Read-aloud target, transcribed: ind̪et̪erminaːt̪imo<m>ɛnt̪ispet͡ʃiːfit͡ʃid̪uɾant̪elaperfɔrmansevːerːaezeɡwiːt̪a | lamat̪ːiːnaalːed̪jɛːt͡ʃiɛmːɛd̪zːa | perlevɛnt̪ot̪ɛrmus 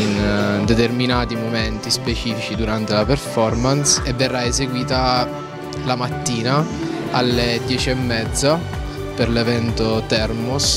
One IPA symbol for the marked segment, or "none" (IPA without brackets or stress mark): m